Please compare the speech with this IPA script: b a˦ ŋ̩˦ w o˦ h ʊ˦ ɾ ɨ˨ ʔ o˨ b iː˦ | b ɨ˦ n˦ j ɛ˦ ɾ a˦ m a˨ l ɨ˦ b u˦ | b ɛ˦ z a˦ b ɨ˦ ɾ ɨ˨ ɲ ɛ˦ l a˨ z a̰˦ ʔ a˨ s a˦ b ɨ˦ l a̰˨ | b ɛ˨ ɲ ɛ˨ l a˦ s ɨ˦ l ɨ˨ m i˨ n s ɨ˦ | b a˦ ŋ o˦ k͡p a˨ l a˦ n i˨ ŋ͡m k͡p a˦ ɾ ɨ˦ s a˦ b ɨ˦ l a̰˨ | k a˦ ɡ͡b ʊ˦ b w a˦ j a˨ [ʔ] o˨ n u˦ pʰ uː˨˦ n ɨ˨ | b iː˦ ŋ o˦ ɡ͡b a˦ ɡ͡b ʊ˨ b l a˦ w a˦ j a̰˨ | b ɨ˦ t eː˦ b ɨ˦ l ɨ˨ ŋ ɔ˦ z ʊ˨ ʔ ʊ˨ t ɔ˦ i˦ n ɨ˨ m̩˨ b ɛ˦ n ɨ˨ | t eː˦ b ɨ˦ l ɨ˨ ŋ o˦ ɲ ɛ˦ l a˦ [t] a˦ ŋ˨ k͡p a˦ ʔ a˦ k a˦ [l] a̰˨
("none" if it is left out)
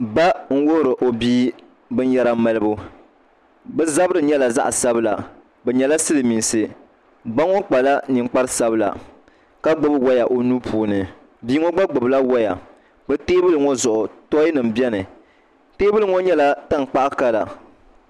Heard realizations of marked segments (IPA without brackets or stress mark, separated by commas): ʔ, t, l